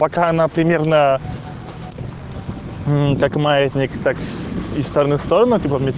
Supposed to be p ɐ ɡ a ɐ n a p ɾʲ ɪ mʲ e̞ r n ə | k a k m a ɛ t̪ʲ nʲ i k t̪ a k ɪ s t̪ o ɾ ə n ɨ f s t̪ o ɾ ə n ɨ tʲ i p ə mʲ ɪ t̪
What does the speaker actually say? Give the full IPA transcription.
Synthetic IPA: p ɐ k a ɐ n a p ɾʲ ɪ mʲ e̞ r n ə | k a k m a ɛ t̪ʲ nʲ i k t̪ a k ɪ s t̪ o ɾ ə n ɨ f s t̪ o ɾ ə n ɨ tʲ i p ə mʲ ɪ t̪

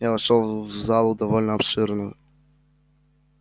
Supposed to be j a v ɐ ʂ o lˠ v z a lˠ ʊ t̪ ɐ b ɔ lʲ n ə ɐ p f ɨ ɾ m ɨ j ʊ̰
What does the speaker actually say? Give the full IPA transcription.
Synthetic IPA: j a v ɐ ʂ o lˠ v z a lˠ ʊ d̪ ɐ v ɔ lʲ n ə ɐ p ʂ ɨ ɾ n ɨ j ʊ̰

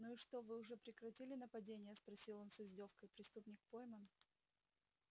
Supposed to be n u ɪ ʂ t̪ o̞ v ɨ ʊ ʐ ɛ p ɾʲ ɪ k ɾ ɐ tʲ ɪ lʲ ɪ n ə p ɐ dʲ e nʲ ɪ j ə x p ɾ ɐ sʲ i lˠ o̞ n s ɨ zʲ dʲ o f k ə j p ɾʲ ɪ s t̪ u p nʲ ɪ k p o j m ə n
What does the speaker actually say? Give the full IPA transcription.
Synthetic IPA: n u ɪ ʂ t̪ o̞ v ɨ ʊ ʐ ɛ p ɾʲ ɪ k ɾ ɐ tʲ i lʲ ɪ n ə p ɐ dʲ e nʲ ɪ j ə s p ɾ ɐ sʲ i lˠ o̞ n s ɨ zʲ dʲ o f k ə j p ɾʲ ɪ s t̪ u p nʲ ɪ k p o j m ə n

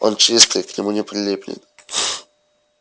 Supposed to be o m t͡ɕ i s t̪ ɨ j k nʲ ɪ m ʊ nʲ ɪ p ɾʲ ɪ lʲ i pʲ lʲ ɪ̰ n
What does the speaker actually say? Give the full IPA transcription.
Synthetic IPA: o n t͡ɕ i s t̪ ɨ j k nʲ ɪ m u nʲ ɪ p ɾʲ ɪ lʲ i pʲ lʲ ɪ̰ n

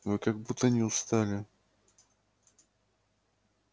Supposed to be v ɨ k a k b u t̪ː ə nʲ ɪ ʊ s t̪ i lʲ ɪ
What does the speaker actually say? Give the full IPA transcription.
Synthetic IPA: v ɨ k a ɡ b u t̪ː ə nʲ ɪ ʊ s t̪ a lʲ ɪ

